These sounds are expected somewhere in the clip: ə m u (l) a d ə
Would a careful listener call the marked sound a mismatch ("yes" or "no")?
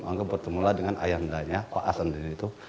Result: no